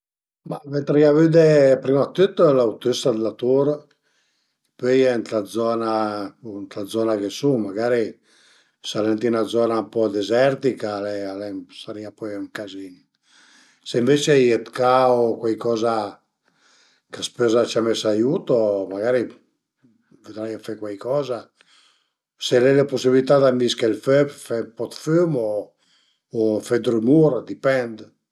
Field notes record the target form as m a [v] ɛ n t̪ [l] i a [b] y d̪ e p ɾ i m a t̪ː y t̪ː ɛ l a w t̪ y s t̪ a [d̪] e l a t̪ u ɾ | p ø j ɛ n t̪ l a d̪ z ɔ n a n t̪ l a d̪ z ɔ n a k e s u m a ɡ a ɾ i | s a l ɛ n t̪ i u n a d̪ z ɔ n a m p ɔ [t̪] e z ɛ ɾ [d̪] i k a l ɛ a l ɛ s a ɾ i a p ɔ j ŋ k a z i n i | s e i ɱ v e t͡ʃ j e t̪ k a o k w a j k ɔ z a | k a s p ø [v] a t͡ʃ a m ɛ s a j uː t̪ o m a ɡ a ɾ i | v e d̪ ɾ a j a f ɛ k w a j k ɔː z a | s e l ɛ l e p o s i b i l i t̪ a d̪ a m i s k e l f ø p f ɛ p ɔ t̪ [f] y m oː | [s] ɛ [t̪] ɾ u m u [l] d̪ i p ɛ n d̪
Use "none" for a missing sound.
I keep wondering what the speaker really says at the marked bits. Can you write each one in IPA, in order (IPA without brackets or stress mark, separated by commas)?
v, ɾ, v, d̪, d̪, t̪, z, f, f, d̪, ɾ